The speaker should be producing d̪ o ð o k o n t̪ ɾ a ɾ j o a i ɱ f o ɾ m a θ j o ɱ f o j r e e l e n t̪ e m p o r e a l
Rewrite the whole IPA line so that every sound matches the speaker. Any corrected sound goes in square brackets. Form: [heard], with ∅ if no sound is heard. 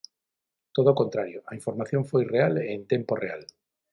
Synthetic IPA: [t̪] o ð o k o n t̪ ɾ a ɾ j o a i ɱ f o ɾ m a θ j o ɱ f o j r e [a] l e n t̪ e m p o r e a l